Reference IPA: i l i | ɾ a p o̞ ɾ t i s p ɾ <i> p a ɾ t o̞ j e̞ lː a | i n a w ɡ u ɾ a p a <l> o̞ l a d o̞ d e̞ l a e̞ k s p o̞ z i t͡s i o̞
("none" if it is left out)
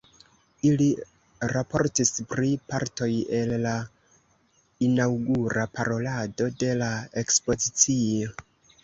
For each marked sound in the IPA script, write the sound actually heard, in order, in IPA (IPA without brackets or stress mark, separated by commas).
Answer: i, ɾ